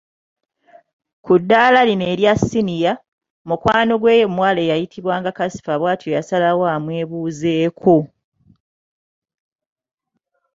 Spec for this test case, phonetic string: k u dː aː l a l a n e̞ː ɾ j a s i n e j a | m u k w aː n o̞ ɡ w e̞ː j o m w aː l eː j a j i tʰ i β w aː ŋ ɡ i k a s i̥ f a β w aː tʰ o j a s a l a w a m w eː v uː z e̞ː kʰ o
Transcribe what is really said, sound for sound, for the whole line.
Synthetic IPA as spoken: k u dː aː l a l i n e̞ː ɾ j a s i n i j a | m u k w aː n o̞ ɡ w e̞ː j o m w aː l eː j a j i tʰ i β w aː ŋ ɡ a k a s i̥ f a β w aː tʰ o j a s a l a w a m w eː β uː z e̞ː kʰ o